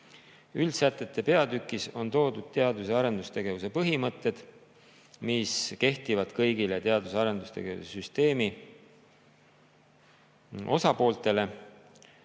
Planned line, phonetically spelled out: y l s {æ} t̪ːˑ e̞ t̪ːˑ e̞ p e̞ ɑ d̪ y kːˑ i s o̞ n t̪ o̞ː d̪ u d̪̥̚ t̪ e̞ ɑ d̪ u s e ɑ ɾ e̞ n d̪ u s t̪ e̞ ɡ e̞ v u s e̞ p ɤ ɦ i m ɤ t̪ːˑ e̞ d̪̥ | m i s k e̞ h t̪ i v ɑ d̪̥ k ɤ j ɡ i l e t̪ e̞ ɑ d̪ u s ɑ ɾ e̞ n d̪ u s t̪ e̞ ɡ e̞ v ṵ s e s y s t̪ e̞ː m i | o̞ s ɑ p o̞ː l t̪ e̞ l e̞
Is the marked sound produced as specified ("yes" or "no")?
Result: yes